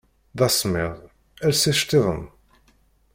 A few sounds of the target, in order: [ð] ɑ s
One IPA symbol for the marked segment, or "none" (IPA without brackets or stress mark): ð